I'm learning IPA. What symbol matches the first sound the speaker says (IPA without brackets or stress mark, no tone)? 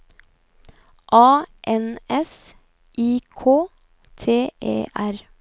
ʔ